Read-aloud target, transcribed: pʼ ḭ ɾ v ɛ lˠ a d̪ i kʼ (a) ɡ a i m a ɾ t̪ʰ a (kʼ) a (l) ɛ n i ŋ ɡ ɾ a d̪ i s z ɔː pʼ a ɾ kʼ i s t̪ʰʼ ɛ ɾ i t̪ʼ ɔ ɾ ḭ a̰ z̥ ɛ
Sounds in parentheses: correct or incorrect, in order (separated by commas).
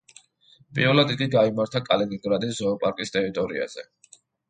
incorrect, correct, correct